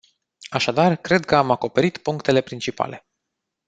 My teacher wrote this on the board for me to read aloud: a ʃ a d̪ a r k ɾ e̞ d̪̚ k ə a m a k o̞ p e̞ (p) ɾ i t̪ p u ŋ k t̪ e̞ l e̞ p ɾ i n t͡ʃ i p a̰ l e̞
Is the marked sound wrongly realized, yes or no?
yes